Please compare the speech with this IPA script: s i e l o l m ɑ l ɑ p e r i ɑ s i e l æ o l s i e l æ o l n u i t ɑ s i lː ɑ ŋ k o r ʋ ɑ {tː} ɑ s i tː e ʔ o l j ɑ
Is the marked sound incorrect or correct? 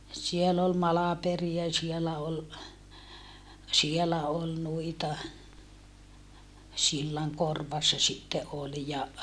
incorrect